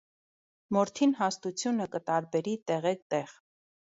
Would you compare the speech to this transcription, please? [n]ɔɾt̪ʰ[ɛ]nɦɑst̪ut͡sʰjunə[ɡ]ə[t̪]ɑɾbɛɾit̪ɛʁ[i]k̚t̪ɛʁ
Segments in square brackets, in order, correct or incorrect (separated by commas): incorrect, incorrect, incorrect, correct, incorrect